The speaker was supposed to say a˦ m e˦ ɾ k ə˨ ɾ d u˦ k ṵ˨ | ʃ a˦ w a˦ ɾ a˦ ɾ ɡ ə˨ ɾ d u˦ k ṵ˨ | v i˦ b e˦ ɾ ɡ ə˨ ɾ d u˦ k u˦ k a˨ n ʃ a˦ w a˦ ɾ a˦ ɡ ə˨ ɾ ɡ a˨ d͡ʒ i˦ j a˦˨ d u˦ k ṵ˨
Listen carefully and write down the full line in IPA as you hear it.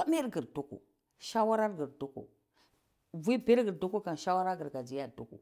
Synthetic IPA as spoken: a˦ m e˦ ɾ ɡ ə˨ ɾ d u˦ k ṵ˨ | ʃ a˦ w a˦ ɾ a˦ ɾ ɡ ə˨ ɾ d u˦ k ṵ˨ | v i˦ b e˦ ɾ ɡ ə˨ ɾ d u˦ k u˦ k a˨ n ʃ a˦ w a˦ ɾ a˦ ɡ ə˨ ɾ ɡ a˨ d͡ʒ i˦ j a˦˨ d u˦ k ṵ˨